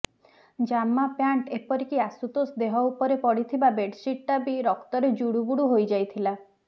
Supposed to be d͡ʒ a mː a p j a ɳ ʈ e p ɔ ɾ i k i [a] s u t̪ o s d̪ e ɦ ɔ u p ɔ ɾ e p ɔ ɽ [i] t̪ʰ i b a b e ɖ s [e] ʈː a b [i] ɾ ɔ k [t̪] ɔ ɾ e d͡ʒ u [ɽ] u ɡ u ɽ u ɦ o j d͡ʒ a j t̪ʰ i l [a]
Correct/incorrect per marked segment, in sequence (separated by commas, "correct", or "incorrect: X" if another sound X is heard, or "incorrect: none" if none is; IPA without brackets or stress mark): correct, correct, incorrect: i, correct, correct, correct, correct